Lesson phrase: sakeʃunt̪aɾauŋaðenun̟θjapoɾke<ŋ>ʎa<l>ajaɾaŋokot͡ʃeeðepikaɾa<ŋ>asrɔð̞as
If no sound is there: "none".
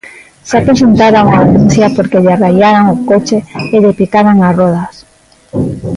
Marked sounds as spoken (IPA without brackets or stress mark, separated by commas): none, r, ŋ